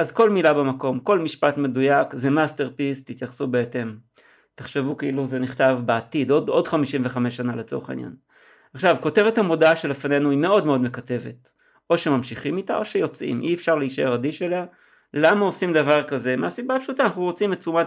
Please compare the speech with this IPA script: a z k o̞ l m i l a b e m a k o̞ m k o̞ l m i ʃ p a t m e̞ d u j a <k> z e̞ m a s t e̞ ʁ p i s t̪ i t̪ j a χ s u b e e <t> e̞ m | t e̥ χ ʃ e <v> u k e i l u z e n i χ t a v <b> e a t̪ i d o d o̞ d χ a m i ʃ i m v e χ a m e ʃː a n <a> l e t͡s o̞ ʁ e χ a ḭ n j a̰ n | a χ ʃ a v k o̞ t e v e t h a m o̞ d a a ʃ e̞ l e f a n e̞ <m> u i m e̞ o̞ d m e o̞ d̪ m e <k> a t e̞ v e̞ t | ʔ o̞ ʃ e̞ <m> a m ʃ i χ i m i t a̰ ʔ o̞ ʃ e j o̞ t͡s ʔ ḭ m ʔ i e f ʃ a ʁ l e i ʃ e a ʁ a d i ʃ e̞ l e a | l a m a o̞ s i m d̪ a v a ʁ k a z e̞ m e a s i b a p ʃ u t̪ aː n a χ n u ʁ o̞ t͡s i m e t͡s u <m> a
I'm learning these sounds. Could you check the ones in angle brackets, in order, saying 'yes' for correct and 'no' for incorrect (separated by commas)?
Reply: yes, yes, yes, yes, yes, no, yes, yes, yes